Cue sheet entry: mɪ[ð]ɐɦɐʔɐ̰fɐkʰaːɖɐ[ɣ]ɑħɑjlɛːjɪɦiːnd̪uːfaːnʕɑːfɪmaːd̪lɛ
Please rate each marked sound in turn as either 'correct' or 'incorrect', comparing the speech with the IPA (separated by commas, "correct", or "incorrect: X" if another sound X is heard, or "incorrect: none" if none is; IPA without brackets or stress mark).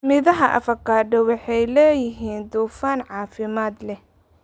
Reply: correct, incorrect: w